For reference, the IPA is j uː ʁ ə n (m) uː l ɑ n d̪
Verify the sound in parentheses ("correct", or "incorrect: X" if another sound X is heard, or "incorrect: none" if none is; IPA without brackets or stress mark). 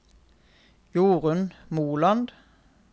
correct